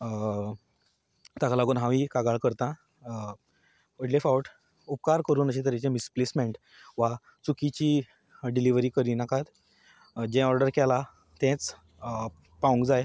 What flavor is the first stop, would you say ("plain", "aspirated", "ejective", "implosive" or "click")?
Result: plain